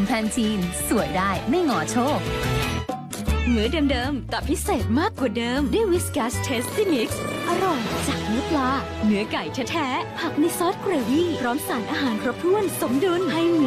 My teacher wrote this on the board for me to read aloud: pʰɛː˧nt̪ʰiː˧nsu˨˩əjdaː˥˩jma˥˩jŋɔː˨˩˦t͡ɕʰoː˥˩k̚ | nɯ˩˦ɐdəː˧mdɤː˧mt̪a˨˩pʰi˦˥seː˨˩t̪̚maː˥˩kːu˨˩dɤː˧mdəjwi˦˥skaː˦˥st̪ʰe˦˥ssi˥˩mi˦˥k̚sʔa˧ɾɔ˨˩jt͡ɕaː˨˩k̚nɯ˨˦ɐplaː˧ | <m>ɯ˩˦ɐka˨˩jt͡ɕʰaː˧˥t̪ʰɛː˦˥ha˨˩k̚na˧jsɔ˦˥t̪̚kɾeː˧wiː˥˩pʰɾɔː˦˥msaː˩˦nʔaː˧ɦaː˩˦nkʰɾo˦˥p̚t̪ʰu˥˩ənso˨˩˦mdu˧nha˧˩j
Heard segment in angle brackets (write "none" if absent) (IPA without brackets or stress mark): n